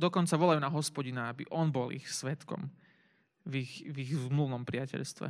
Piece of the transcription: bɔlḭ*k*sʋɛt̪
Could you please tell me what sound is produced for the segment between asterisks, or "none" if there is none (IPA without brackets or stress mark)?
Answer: x